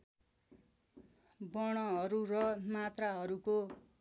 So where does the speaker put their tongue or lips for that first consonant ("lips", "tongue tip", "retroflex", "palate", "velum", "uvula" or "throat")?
lips